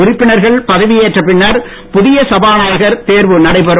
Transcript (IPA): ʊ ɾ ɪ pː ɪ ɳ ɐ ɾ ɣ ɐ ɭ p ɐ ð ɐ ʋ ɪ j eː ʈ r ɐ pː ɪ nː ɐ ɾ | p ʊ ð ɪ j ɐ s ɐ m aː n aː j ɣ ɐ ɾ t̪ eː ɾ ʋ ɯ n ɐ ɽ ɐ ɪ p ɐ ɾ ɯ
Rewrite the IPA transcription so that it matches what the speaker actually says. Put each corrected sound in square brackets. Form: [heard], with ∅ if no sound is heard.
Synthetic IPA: ʊ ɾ ɪ pː ɪ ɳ ɐ ɾ ɣ ɐ ɭ p ɐ ð ɐ ʋ ɪ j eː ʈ r ɐ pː ɪ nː ɐ ɾ | p ʊ ð ɪ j ɐ s ɐ [b] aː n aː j ɣ ɐ ɾ t̪ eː ɾ ʋ ɯ n ɐ ɽ ɐ ɪ p ɐ ɾ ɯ